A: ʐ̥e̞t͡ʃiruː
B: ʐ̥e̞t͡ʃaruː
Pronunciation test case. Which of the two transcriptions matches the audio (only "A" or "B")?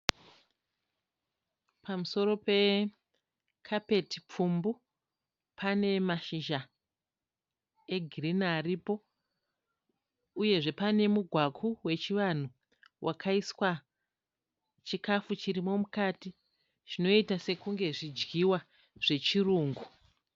A